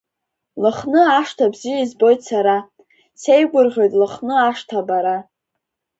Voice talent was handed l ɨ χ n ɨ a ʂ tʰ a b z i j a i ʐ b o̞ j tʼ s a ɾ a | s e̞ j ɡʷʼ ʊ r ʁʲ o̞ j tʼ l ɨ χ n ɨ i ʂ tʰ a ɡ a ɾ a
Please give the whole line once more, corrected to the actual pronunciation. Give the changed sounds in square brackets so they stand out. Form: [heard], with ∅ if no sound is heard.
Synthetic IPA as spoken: l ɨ χ n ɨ a ʂ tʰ a b z i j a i [z] b o̞ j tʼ s a ɾ a | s e̞ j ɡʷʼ ʊ r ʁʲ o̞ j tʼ l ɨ χ n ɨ [a] ʂ tʰ a [b] a ɾ a

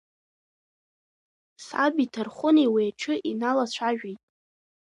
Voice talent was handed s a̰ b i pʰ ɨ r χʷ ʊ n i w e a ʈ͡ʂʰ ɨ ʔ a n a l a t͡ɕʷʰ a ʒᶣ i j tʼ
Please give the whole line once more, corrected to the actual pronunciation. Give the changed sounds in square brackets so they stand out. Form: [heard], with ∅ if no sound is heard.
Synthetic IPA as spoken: s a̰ b i [tʰ] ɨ r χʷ ʊ n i w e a ʈ͡ʂʰ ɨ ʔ [i] n a l a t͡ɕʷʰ a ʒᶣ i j tʼ

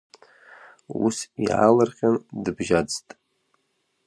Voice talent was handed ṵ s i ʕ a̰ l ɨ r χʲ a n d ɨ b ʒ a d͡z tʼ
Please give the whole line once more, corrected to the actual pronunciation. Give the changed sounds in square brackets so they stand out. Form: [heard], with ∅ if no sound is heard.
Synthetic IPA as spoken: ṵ s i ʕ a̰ l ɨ r χʲ a n d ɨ b ʒ a d͡z tʼ

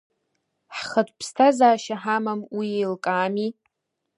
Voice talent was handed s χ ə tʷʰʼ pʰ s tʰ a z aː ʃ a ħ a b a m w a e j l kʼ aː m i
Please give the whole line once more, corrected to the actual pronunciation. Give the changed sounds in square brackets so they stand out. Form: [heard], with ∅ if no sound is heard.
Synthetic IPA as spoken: [ħ] χ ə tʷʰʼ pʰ s tʰ a z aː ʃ a ħ a [m] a m w [i] e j l kʼ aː m i

